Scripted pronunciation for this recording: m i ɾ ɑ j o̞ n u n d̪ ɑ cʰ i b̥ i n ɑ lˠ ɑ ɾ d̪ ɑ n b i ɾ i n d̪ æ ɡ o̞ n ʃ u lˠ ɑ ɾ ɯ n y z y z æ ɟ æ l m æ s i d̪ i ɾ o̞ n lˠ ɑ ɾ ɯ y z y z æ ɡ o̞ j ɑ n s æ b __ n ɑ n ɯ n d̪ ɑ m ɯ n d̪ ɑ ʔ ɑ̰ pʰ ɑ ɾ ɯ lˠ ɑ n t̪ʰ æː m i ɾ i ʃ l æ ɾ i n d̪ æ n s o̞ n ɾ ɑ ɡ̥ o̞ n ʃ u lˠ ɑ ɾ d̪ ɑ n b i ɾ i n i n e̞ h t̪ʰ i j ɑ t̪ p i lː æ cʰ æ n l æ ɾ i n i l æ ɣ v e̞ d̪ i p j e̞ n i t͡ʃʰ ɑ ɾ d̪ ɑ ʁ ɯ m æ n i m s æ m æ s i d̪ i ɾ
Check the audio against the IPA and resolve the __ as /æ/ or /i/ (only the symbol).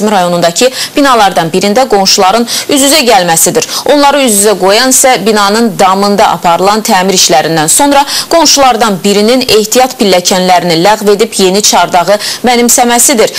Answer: i